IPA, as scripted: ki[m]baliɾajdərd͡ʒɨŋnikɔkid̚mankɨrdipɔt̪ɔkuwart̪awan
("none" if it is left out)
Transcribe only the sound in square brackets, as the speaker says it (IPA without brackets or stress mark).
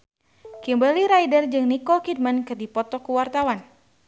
m